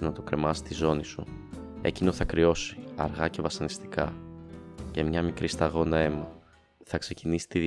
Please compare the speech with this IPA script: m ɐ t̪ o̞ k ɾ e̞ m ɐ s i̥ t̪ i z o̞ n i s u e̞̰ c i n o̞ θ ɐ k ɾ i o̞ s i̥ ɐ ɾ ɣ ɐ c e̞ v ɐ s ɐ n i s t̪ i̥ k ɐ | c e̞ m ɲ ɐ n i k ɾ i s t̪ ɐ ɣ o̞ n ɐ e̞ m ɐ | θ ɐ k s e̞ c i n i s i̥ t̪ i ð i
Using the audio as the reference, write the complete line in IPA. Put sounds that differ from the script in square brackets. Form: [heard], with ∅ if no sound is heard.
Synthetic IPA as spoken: [n] ɐ t̪ o̞ k ɾ e̞ m ɐ s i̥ t̪ i z o̞ n i s u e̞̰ c i n o̞ θ ɐ k ɾ i o̞ s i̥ ɐ ɾ ɣ ɐ c e̞ v ɐ s ɐ n i s t̪ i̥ k ɐ | c e̞ m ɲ ɐ [m] i k ɾ i s t̪ ɐ ɣ o̞ n ɐ e̞ m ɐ | θ ɐ k s e̞ c i n i s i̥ t̪ i ð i